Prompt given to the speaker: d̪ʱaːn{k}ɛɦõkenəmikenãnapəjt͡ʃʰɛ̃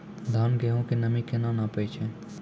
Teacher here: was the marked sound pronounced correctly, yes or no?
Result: no